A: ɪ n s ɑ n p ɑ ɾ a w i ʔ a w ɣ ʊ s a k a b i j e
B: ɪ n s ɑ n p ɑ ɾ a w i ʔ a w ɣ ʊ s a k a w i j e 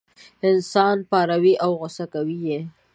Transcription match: B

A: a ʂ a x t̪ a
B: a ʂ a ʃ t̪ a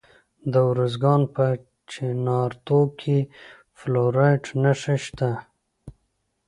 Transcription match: B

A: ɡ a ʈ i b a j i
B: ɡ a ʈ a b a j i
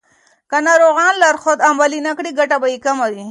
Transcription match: B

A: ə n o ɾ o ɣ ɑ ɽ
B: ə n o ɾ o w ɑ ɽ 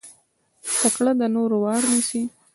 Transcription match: B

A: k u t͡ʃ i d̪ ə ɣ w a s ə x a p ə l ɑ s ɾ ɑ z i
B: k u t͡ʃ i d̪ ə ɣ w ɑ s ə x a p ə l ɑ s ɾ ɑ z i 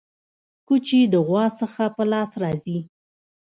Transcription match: B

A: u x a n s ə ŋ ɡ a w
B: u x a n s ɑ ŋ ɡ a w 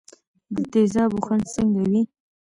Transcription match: A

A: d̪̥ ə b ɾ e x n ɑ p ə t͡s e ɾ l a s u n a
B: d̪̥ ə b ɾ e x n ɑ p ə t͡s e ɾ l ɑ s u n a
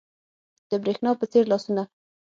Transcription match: B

